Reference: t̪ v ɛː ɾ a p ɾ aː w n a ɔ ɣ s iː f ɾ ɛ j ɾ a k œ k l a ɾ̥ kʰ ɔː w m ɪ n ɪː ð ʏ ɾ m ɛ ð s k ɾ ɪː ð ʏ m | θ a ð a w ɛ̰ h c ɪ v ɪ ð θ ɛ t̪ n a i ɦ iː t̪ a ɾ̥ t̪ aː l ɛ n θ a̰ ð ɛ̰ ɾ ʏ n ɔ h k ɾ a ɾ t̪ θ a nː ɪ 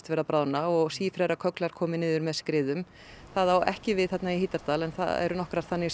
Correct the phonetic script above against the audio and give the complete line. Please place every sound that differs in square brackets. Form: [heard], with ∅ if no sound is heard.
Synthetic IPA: t̪ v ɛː ɾ a p ɾ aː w n a ɔ ɣ s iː f ɾ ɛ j ɾ a [kʰ] œ k l a ɾ̥ kʰ ɔː [∅] m ɪ n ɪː ð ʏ ɾ m ɛ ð s k ɾ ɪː ð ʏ m | θ a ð a w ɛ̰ h c ɪ v ɪ ð θ ɛ t̪ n a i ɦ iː t̪ a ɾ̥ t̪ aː l ɛ n θ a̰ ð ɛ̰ ɾ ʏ n ɔ h k ɾ a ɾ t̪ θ a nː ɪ